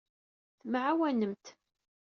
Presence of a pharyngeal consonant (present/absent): present